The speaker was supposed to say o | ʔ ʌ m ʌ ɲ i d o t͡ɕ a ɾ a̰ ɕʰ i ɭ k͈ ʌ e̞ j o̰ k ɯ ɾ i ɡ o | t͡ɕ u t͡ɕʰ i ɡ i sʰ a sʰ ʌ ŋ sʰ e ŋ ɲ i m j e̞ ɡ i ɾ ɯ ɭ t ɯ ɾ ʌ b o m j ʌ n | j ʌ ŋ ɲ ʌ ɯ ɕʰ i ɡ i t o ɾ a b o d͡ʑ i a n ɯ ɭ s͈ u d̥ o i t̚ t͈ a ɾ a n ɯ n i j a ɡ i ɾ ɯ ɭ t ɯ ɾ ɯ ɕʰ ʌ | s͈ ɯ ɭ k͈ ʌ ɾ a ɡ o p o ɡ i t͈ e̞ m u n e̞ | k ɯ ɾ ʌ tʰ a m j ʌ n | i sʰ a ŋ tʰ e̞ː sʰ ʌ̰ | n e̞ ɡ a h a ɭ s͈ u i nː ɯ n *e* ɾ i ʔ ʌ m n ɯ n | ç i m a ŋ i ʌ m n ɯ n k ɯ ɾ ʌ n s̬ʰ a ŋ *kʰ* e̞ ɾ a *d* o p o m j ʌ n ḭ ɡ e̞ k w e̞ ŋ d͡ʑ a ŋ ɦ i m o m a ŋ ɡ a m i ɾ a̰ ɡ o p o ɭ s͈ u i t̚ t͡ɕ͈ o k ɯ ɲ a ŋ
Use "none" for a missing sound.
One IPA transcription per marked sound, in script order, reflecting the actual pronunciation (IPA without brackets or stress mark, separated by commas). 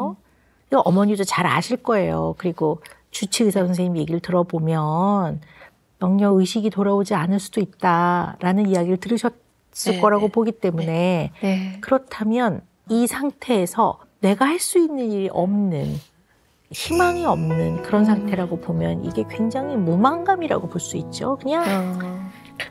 i, tʰ, ɡ